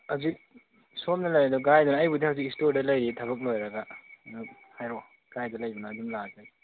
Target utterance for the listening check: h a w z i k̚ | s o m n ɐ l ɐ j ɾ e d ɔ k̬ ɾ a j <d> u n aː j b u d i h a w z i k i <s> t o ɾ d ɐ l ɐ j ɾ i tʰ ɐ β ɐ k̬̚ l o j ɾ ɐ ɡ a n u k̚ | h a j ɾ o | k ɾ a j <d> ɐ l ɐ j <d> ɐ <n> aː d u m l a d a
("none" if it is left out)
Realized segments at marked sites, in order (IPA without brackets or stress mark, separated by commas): d, s, d, b, n